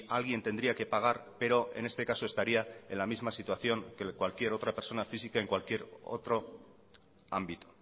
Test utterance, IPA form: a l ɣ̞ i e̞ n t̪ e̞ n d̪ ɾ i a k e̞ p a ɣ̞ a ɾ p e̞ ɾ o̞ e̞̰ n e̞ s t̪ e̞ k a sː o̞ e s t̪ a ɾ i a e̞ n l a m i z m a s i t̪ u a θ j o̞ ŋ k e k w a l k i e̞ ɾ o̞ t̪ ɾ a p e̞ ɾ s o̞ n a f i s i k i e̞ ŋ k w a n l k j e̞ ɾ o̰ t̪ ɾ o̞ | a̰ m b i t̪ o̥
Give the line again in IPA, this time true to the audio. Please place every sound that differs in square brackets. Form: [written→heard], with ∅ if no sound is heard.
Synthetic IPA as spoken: a l ɣ̞ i e̞ n t̪ e̞ n d̪ ɾ i a k e̞ p a ɣ̞ a ɾ p e̞ ɾ o̞ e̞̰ n e̞ s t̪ e̞ k a [sː→s] o̞ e s t̪ a ɾ i a e̞ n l a m i z m a s i t̪ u a θ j o̞ ŋ k e k w a l k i e̞ ɾ o̞ t̪ ɾ a p e̞ ɾ s o̞ n a f i s i k [i→a] e̞ ŋ k w a [n→∅] l k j e̞ ɾ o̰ t̪ ɾ o̞ | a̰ m b i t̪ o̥